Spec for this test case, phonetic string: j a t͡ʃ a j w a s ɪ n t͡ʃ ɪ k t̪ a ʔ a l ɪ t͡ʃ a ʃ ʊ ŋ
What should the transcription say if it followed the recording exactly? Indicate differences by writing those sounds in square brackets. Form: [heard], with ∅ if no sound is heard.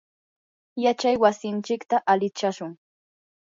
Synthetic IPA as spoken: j a t͡ʃ a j w a s ɪ n t͡ʃ ɪ k t̪ a ʔ a l ɪ t͡ʃ a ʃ ʊ ŋ